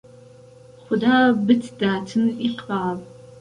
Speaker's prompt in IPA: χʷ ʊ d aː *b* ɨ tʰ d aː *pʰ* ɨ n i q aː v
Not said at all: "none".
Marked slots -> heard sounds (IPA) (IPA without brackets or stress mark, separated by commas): b, tʰ